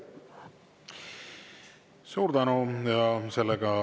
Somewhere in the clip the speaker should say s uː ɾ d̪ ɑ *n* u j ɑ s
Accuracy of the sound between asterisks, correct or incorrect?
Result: correct